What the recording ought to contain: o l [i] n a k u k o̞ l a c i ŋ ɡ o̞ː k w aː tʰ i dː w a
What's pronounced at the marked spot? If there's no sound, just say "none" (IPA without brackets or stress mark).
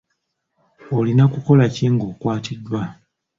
i